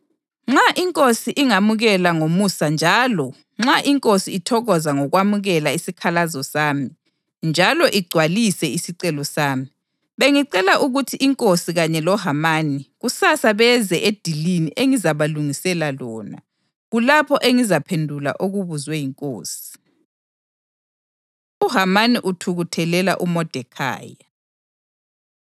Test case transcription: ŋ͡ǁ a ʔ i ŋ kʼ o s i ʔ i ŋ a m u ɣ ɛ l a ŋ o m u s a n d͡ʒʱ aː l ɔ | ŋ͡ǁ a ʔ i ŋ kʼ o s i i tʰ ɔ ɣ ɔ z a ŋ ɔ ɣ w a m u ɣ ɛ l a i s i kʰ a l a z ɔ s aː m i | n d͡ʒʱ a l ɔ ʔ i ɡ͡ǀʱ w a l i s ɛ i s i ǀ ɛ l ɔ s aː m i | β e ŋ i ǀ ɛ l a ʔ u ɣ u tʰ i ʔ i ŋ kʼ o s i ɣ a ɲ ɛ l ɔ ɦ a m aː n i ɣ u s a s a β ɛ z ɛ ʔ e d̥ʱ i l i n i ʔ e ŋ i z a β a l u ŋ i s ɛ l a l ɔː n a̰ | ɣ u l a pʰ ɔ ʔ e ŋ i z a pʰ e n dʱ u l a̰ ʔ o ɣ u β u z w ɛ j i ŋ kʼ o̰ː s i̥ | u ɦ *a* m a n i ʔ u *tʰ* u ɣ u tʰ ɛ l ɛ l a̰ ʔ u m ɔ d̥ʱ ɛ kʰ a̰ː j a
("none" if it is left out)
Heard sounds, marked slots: a, tʰ

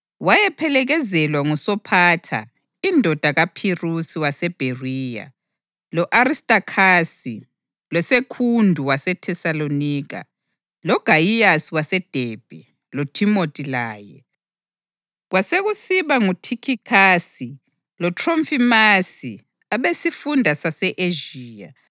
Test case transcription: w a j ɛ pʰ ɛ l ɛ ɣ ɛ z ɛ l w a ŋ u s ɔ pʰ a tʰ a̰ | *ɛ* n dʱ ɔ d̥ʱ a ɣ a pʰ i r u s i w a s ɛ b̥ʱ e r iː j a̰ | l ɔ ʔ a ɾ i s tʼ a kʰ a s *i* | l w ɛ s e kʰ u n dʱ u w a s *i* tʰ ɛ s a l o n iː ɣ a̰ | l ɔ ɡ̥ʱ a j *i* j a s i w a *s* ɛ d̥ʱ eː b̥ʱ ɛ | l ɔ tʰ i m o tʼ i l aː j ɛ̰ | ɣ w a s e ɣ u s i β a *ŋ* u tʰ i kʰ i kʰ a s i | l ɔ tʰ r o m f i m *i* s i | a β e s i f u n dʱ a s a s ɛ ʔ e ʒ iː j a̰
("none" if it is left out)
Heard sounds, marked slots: i, i, ɛ, i, s, ŋ, a

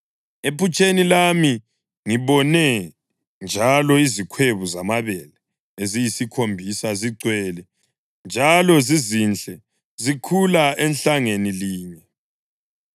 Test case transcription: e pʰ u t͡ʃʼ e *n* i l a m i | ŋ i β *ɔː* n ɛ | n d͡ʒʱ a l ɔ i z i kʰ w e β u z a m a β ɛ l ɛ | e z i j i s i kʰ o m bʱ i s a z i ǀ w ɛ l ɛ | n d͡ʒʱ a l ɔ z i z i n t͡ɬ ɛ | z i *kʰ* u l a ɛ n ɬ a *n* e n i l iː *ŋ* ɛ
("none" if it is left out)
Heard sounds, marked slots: n, ɔ, kʰ, ŋ, ɲ

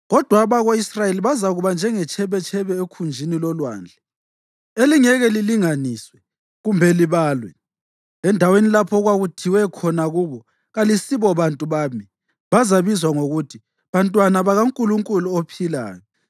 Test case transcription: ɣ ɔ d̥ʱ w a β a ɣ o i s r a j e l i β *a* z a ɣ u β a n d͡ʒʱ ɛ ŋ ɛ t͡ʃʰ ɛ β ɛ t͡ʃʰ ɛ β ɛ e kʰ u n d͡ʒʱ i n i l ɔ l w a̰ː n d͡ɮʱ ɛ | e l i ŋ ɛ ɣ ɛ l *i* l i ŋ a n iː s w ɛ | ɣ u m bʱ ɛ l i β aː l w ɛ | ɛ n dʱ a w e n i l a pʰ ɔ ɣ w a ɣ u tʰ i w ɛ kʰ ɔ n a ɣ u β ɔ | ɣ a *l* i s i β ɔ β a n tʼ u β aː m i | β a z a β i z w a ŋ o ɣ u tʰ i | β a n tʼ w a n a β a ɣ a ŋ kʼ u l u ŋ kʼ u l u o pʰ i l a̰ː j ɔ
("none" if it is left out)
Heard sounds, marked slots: a, i, l

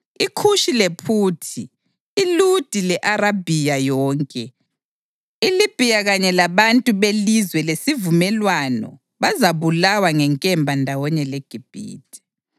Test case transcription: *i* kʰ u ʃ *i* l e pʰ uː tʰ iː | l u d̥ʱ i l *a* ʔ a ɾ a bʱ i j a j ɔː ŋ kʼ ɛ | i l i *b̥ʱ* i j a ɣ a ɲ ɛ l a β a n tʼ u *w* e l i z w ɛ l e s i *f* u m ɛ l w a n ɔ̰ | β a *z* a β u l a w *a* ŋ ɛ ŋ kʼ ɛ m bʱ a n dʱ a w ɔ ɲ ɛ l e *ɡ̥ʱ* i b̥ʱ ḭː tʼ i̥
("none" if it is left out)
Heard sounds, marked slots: i, i, ɛ, b̥ʱ, β, v, z, a, ɡ̥ʱ

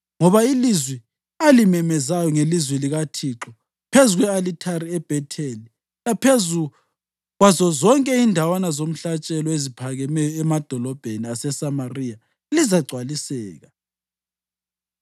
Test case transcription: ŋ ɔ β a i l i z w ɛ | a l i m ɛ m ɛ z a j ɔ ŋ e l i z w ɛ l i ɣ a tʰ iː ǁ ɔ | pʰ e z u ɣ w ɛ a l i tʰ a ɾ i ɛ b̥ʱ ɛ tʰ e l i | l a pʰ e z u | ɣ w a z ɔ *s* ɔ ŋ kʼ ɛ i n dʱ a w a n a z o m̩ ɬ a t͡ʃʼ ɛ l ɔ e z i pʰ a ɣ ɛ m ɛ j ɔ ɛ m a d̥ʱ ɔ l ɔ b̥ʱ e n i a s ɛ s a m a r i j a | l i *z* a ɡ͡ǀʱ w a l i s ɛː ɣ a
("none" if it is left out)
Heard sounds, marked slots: z, z

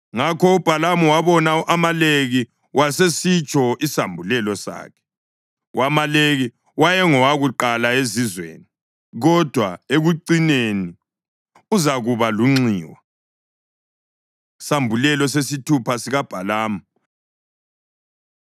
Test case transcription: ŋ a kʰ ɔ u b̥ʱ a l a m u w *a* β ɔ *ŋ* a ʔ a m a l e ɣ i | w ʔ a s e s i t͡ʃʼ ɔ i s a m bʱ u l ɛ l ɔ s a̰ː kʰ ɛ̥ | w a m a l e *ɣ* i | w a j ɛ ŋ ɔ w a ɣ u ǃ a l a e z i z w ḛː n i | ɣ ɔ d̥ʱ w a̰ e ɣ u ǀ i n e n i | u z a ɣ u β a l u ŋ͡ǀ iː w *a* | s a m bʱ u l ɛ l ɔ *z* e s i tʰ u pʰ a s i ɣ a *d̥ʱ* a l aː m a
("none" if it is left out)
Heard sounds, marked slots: a, n, ɣ, a, s, b̥ʱ

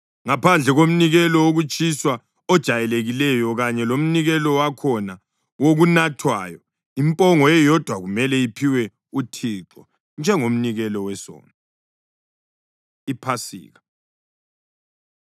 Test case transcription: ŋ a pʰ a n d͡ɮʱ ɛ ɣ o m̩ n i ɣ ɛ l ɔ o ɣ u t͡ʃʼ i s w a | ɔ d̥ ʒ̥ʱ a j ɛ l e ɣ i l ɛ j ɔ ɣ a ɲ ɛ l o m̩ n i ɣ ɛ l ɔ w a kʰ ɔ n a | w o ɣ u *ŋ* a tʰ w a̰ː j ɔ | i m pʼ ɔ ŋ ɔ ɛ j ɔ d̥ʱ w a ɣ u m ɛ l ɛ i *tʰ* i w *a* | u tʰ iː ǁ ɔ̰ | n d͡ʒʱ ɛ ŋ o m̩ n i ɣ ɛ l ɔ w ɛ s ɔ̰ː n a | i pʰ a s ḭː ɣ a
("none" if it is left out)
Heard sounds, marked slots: n, pʰ, ɛ

